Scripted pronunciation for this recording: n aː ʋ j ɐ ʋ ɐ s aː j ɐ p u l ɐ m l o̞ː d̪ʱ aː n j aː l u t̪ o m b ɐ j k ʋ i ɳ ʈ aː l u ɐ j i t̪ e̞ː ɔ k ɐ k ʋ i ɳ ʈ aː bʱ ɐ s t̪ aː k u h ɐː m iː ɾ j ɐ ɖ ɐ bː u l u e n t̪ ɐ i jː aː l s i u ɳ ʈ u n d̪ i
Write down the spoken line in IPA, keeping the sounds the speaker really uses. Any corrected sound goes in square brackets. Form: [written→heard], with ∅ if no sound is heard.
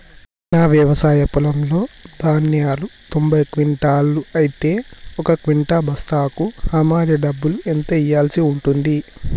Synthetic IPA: n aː ʋ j ɐ ʋ ɐ s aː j ɐ p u l ɐ m l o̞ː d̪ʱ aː n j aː l u t̪ o m b ɐ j k ʋ i ɳ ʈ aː l u ɐ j i t̪ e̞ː ɔ k ɐ k ʋ i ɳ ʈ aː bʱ ɐ s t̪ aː k u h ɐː m [iː→aː] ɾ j ɐ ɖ ɐ bː u l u e n t̪ ɐ i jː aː l s i u ɳ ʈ u n d̪ i